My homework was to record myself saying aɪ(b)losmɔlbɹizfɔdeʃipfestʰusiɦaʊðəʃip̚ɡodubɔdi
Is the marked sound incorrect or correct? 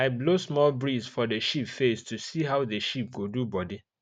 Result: correct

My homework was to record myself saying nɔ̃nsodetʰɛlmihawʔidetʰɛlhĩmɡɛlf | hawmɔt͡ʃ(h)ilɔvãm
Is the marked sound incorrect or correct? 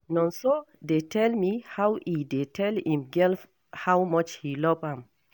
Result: correct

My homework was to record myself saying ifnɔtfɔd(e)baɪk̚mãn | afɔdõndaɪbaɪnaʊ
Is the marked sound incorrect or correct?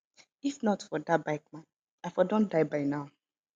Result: incorrect: a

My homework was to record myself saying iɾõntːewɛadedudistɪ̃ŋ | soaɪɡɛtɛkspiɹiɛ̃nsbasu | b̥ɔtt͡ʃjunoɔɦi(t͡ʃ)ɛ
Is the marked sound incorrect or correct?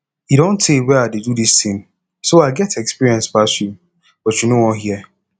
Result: incorrect: none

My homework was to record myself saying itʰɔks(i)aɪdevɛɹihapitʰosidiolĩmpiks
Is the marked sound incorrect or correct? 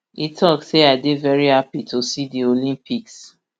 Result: incorrect: e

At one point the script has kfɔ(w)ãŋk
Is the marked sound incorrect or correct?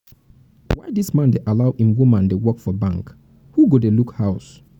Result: incorrect: b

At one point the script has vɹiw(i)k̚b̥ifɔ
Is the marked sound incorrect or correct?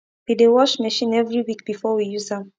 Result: correct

